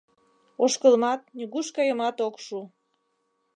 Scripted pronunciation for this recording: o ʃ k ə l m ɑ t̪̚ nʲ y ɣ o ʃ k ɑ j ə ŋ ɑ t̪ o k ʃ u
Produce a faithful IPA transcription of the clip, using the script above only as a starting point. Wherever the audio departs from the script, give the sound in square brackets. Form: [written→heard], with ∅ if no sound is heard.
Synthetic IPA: o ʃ k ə l m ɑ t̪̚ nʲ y ɣ [o→u] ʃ k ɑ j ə [ŋ→m] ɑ t̪ o k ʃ u